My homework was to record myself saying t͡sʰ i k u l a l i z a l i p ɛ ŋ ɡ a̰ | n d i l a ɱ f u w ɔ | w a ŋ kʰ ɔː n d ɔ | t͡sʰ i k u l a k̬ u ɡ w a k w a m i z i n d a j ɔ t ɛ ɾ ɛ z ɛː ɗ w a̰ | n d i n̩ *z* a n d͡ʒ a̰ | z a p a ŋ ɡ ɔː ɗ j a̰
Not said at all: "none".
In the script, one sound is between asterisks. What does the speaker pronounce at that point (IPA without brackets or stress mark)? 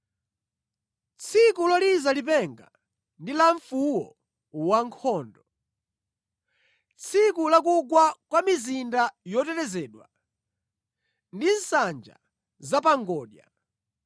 s